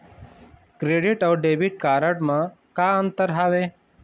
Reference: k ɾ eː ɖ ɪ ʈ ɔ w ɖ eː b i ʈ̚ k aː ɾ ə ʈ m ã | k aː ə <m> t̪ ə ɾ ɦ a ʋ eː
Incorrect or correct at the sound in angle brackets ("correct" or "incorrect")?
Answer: incorrect